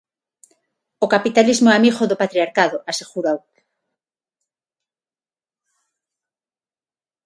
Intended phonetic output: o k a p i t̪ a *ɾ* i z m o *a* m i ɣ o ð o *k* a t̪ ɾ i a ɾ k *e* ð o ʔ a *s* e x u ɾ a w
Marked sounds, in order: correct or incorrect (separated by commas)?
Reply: incorrect, correct, incorrect, incorrect, correct